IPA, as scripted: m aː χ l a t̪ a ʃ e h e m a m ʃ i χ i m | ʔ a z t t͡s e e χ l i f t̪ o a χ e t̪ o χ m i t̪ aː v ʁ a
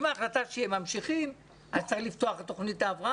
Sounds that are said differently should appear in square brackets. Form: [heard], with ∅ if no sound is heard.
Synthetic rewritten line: m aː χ l a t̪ a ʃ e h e m a m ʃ i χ i m | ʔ a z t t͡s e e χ l i f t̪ o a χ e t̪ o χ [n] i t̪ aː v ʁ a